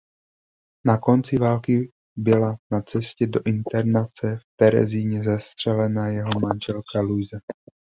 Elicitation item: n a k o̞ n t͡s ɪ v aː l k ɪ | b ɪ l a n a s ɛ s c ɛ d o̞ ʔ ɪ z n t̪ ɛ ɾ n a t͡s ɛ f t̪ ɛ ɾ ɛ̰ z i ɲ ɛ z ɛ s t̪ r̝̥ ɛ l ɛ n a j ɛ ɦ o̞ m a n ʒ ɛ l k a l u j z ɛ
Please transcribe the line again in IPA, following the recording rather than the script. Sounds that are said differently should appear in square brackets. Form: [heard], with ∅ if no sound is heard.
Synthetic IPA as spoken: n a k o̞ n t͡s ɪ v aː l k ɪ | b ɪ l a n a [t͡s] ɛ s c ɛ d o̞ ʔ ɪ [∅] n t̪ ɛ ɾ n a t͡s ɛ f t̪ ɛ ɾ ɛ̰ z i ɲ ɛ z ɛ s t̪ r̝̥ ɛ l ɛ n a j ɛ ɦ o̞ m a n ʒ ɛ l k a l u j z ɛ